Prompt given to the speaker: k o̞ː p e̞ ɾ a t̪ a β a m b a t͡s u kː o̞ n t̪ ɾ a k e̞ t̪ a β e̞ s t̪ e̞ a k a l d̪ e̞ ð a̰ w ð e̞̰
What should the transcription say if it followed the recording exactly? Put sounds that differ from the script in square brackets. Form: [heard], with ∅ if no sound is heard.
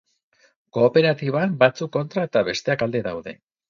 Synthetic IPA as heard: k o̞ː p e̞ ɾ a t̪ [i] β a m b a t͡s u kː o̞ n t̪ ɾ a [∅] e̞ t̪ a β e̞ s t̪ e̞ a k a l d̪ e̞ ð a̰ w ð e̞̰